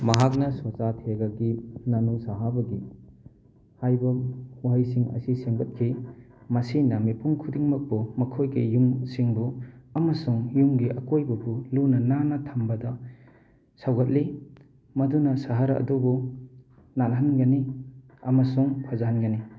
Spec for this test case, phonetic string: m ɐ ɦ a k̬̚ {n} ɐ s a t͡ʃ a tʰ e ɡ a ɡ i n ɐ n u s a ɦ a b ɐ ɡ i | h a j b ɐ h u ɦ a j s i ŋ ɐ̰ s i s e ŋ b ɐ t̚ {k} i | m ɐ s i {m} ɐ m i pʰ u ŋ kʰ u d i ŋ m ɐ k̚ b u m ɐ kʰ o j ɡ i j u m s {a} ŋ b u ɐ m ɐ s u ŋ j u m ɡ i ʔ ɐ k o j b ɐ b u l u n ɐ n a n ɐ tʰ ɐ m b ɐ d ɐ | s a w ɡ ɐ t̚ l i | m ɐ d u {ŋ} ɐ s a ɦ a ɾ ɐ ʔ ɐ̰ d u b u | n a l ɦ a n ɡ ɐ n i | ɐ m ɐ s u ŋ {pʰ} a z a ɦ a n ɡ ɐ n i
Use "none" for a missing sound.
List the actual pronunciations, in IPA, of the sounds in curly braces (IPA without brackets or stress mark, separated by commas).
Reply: n, kʰ, n, i, n, pʰ